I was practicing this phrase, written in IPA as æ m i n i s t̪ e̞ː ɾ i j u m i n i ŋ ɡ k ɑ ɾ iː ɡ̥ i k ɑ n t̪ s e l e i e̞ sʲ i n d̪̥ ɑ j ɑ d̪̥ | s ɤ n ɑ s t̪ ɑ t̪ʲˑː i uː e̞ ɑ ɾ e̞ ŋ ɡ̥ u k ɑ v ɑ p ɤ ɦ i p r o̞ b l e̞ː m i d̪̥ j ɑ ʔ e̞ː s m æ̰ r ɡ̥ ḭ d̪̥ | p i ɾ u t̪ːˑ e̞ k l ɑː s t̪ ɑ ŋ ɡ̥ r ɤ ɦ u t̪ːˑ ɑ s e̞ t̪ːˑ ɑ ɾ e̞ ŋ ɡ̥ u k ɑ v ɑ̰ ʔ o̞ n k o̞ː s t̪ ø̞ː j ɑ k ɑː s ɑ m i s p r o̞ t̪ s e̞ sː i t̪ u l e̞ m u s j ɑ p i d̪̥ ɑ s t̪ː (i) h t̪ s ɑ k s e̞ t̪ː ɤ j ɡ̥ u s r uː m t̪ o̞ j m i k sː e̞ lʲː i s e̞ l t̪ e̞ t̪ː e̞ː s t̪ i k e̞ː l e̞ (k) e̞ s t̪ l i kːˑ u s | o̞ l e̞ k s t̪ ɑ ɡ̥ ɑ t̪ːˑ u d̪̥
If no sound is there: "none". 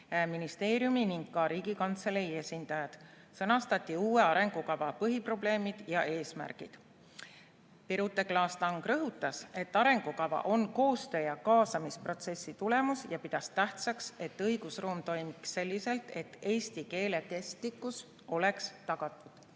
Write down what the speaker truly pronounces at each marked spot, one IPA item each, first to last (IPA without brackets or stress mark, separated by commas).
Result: æ, k